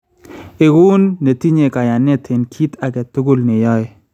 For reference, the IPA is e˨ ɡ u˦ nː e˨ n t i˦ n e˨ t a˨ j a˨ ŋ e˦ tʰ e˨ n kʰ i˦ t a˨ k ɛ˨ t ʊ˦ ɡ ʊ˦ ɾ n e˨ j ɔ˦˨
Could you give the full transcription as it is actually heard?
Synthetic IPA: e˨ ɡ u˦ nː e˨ t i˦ ɲ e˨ k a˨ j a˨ n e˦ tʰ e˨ n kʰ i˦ t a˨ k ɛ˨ t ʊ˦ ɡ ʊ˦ l n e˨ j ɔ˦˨